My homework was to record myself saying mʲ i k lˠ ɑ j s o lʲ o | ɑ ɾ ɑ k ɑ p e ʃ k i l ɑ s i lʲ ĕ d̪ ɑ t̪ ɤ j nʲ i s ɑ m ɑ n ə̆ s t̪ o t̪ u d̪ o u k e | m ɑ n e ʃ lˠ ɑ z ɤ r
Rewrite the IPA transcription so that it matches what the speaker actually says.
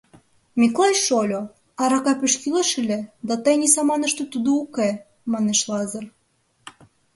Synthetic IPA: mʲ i k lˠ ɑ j ʃ o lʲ o | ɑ ɾ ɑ k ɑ p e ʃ k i l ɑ ʃ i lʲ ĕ d̪ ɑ t̪ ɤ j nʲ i s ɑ m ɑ n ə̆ ʃ t̪ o t̪ u d̪ o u k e | m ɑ n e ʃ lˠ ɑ z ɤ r

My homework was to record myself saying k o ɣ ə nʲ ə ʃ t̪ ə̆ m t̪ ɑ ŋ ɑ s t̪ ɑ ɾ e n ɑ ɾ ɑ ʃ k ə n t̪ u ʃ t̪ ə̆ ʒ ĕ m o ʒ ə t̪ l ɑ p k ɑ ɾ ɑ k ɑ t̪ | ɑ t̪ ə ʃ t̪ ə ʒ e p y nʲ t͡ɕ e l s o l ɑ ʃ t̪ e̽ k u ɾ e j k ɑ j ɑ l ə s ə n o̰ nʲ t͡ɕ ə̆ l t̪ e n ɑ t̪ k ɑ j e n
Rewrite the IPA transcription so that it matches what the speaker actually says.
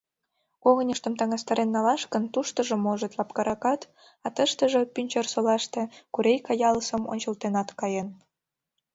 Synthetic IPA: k o ɣ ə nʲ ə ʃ t̪ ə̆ m t̪ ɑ ŋ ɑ s t̪ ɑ ɾ e nː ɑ l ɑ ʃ k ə n t̪ u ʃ t̪ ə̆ ʒ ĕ m o ʒ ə t̪ l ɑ p k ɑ ɾ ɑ k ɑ t̪ | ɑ t̪ ə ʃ t̪ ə ʒ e p y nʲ t͡ɕ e r s o l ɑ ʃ t̪ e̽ k u ɾ e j k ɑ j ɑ l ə s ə m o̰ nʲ t͡ɕ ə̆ l t̪ e n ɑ t̪ k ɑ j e n

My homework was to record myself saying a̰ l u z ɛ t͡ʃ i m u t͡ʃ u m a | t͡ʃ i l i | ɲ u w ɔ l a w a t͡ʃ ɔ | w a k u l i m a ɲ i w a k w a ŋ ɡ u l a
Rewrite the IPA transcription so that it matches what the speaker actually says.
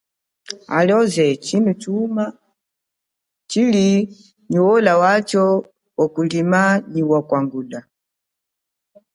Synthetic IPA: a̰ l ɔ z ɛ t͡ʃ i n u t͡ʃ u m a | t͡ʃ i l i | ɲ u w ɔ l a w a t͡ʃ ɔ | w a k u l i m a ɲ i w a k w a ŋ ɡ u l a

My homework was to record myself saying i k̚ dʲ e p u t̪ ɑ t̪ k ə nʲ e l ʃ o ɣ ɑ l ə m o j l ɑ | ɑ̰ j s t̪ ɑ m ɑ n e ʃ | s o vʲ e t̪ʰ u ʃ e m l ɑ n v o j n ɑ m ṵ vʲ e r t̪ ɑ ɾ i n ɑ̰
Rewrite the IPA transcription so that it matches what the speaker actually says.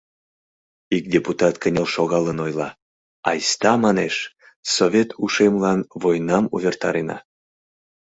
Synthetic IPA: i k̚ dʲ e p u t̪ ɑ t̪ k ə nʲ e l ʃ o ɣ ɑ l ə n o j l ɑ | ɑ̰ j s t̪ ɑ m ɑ n e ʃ | s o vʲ e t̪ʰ u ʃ e m l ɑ n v o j n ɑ m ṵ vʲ e r t̪ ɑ ɾ e n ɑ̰

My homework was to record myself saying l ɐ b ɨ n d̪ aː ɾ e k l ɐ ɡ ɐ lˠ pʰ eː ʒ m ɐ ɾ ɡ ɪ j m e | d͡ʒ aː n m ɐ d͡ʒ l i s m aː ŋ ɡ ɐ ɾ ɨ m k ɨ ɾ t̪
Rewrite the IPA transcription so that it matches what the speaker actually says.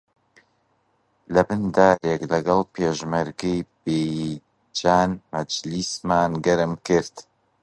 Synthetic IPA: l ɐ b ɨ n d̪ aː ɾ e k l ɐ ɡ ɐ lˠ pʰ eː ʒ m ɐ ɾ ɡ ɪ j b e | d͡ʒ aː n m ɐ d͡ʒ l i s m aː n ɡ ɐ ɾ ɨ m k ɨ ɾ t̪

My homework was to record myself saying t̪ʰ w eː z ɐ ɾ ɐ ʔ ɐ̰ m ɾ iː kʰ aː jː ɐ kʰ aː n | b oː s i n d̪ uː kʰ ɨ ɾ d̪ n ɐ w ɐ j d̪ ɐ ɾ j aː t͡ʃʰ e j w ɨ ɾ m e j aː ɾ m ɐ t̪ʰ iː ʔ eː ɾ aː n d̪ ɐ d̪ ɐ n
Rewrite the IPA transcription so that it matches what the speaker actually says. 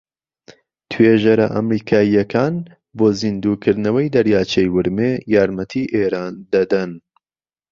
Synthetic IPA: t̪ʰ w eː ʒ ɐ ɾ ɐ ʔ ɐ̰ m ɾ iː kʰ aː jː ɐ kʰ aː n | b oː z i n d̪ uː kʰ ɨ ɾ d̪ n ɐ w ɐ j d̪ ɐ ɾ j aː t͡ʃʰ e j w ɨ ɾ m e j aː ɾ m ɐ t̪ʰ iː ʔ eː ɾ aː n d̪ ɐ d̪ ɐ n

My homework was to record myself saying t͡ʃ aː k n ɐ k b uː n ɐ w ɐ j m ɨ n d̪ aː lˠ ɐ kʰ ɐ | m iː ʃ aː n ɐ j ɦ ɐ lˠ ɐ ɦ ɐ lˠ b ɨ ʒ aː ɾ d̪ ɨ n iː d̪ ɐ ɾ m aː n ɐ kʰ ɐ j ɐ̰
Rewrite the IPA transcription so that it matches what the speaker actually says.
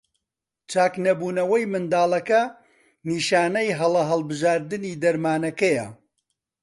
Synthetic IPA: t͡ʃ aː k n ɐ b uː n ɐ w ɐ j m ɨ n d̪ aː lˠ ɐ k ɐ | n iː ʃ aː n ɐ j ɦ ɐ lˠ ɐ ɦ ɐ lˠ b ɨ ʒ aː ɾ d̪ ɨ n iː d̪ ɐ ɾ m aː n ɐ k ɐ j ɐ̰

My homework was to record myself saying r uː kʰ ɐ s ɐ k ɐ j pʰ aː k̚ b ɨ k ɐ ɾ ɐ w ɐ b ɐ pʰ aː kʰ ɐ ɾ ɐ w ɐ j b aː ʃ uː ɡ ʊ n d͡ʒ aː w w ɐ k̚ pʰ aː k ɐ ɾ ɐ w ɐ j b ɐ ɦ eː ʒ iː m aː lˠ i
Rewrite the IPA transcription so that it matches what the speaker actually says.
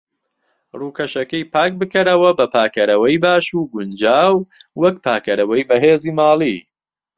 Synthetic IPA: r uː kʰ ɐ ʃ ɐ k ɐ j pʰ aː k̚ b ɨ k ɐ ɾ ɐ w ɐ b ɐ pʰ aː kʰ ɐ ɾ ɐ w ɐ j b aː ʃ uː ɡ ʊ n d͡ʒ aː w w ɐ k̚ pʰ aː k ɐ ɾ ɐ w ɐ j b ɐ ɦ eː z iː m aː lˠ i

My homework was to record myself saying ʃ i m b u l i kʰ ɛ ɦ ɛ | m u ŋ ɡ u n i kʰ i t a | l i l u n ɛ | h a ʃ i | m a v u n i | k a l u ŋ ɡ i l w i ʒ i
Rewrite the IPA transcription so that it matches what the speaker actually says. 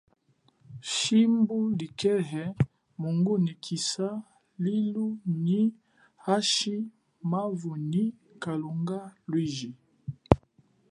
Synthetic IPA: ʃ i m b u l i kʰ ɛ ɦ ɛ | m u ŋ ɡ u n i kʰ i s a | l i l u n i | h a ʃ i | m a v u n i | k a l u ŋ ɡ a l w i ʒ i

